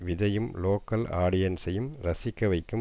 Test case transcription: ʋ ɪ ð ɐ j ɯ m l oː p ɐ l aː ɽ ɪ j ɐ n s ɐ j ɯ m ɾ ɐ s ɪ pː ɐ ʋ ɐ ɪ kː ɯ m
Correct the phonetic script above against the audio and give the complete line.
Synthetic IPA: ʋ ɪ ð ɐ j ɯ m l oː k ɐ l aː ɽ ɪ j ɐ n s ɐ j ɯ m ɾ ɐ s ɪ kː ɐ ʋ ɐ ɪ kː ɯ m